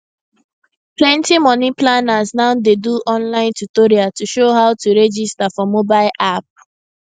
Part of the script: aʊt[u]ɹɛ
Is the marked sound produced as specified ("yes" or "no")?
yes